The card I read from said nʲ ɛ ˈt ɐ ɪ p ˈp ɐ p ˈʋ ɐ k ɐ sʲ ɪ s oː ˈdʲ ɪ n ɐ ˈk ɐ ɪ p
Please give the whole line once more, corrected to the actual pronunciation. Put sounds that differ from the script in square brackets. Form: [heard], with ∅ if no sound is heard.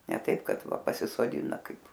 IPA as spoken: nʲ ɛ ˈt ɐ ɪ p [ˈk] ɐ [t] ˈʋ ɐ [p] ɐ sʲ ɪ s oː ˈdʲ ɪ n ɐ ˈk ɐ ɪ p